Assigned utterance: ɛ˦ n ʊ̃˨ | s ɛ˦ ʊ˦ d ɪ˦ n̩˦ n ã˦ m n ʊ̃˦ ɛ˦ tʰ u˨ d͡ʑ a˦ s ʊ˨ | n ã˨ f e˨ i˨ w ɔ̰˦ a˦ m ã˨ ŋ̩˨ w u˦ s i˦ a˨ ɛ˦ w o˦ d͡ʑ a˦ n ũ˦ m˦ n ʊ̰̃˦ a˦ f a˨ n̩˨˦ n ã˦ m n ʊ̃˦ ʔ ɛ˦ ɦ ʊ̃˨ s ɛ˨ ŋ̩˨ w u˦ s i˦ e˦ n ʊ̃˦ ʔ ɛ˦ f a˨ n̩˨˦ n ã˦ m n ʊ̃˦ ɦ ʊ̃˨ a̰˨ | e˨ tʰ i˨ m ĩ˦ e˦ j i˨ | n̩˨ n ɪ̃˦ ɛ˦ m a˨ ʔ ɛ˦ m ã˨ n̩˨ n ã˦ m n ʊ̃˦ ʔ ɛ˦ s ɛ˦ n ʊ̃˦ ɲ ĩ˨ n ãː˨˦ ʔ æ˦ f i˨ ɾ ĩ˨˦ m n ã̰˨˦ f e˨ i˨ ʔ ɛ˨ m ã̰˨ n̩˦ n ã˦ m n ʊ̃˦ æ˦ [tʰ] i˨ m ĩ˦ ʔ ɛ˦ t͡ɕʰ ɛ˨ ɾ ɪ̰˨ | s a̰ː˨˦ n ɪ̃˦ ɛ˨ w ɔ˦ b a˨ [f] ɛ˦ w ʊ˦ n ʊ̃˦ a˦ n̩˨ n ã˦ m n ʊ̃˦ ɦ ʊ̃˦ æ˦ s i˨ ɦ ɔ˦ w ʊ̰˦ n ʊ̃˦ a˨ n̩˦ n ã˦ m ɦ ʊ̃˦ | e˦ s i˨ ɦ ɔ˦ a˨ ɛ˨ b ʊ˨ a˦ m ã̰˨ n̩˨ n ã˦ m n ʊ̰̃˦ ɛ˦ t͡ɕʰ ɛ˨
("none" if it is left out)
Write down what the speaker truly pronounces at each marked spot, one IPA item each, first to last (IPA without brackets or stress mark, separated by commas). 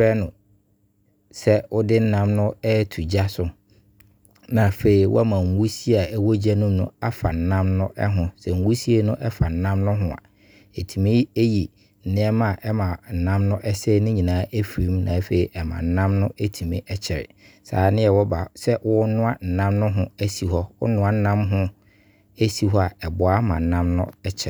tʰ, s